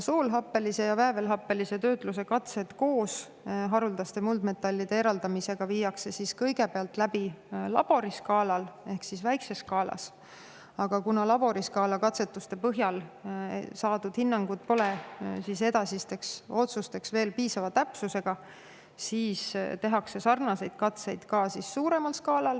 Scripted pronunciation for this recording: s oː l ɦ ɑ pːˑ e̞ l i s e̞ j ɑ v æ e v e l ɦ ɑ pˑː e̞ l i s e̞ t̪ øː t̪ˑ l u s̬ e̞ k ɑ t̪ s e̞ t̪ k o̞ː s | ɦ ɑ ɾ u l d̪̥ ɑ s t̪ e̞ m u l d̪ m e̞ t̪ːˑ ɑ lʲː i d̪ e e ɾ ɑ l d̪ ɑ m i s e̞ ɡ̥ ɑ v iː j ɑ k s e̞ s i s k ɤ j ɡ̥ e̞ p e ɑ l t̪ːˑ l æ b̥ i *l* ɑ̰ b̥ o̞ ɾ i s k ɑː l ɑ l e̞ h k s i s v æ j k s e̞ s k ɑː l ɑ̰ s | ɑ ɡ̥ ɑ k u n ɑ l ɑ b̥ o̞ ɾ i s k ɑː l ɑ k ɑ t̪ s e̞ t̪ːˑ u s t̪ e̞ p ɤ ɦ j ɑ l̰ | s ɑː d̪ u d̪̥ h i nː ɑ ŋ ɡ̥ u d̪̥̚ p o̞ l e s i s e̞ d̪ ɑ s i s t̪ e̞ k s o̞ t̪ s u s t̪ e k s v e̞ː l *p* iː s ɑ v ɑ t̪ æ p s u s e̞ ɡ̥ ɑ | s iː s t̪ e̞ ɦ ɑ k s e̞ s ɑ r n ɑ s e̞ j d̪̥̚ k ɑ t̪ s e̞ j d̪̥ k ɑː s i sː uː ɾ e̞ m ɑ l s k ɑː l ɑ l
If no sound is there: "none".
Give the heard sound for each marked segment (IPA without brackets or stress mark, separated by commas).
l, p